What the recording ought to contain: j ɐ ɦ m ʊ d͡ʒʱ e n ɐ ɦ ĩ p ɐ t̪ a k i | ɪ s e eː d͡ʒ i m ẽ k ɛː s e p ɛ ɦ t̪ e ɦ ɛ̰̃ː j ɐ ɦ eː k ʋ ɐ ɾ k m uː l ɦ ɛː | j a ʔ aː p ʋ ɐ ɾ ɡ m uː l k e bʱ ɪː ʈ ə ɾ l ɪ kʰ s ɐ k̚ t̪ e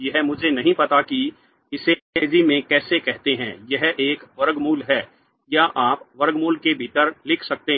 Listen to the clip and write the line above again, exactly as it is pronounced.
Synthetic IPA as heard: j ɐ ɦ m ʊ d͡ʒʱ e n ɐ ɦ ĩ p ɐ t̪ a k i | ɪ s e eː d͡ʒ i m ẽ k ɛː s e k ɛ ɦ t̪ e ɦ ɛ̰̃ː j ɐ ɦ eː k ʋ ɐ ɾ ɡ m uː l ɦ ɛː | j a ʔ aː p ʋ ɐ ɾ ɡ m uː l k e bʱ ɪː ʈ ə ɾ l ɪ kʰ s ɐ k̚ t̪ e